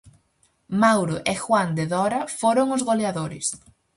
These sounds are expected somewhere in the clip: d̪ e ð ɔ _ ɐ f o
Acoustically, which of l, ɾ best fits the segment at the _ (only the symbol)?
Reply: ɾ